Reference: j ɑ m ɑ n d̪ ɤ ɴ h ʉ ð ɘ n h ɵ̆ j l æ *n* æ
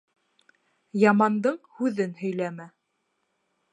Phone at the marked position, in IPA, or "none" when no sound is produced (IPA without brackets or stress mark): m